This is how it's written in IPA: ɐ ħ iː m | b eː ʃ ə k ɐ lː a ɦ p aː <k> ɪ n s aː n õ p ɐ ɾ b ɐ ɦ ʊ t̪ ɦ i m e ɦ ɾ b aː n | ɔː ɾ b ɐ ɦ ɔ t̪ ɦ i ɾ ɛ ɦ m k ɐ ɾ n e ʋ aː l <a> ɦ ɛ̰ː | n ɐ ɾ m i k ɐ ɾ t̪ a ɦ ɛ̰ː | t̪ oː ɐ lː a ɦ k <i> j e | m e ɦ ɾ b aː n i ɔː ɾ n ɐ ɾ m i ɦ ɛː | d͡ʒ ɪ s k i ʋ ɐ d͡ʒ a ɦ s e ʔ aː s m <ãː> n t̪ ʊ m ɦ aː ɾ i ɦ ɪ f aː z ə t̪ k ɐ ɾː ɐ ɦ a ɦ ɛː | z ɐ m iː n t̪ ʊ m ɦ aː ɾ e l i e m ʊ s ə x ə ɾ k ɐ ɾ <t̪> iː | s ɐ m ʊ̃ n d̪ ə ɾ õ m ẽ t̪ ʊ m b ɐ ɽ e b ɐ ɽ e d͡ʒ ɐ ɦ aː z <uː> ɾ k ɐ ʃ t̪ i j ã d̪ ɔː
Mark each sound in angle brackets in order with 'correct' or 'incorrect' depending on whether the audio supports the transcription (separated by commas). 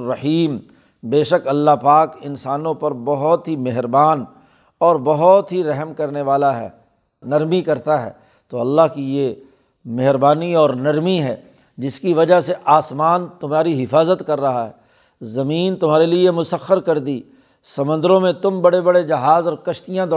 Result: correct, correct, correct, incorrect, incorrect, incorrect